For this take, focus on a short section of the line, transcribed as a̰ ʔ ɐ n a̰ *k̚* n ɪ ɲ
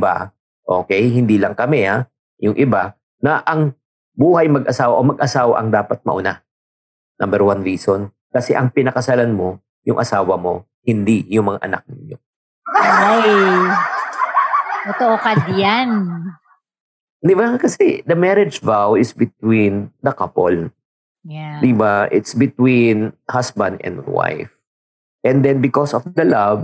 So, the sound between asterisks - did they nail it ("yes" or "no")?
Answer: yes